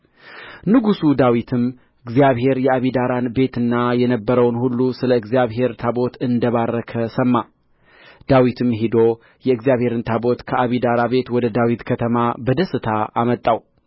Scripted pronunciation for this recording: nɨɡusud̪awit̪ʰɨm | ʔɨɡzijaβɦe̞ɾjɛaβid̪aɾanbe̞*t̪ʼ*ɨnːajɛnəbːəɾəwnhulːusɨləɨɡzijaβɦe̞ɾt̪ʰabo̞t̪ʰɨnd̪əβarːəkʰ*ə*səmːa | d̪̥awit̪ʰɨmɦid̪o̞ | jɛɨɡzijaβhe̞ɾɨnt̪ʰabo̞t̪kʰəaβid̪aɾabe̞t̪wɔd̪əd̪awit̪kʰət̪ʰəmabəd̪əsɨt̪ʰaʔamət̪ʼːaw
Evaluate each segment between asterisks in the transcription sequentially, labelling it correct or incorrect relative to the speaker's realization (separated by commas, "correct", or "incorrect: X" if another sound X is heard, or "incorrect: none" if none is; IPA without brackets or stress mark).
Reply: incorrect: t̪, correct